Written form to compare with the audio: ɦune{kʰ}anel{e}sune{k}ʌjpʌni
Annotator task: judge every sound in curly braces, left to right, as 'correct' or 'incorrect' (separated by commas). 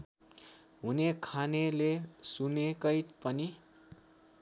correct, correct, correct